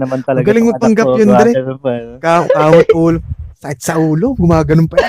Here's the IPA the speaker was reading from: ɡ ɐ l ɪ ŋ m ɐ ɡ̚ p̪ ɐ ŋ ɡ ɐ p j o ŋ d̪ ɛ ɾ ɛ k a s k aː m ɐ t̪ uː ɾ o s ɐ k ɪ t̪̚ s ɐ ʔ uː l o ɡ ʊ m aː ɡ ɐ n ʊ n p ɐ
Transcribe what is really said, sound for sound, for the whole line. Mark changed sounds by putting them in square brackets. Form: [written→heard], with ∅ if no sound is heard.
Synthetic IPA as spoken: ɡ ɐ l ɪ ŋ m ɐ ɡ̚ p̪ ɐ ŋ ɡ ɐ p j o [ŋ→n] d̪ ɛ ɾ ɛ k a [s→∅] k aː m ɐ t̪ uː [ɾ→l] o s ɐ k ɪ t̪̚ s ɐ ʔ uː l o ɡ ʊ m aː ɡ ɐ n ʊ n p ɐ